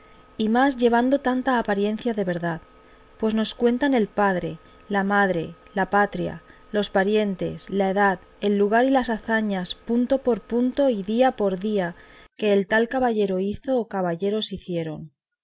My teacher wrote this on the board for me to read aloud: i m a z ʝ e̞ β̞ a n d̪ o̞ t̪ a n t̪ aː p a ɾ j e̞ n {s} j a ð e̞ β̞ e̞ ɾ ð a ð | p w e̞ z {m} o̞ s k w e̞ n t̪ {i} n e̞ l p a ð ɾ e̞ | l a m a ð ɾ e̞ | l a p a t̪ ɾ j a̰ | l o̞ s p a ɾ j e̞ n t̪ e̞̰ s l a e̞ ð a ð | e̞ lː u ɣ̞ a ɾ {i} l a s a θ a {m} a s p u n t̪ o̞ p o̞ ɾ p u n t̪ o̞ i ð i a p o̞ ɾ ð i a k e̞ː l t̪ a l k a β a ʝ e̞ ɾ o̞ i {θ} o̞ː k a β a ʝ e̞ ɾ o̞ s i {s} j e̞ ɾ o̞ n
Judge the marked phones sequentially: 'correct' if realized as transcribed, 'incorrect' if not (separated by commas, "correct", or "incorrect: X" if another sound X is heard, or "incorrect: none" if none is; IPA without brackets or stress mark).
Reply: incorrect: θ, incorrect: n, incorrect: a, correct, incorrect: ɲ, correct, incorrect: θ